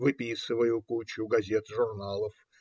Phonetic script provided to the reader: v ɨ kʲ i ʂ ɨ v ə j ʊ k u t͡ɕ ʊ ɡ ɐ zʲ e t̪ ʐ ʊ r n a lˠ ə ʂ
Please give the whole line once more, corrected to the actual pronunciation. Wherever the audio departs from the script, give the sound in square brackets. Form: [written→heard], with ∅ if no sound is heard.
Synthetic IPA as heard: v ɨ [kʲ→pʲ] i [ʂ→s] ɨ v ə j ʊ k u t͡ɕ ʊ ɡ ɐ zʲ e t̪ ʐ ʊ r n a lˠ ə [ʂ→f]